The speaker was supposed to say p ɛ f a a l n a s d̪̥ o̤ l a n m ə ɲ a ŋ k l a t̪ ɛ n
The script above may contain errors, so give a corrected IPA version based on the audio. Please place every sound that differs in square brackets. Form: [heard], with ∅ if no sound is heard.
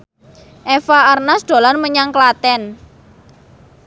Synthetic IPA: [ʔ] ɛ f a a [r] n a s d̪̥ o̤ l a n m ə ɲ a ŋ k l a t̪ ɛ n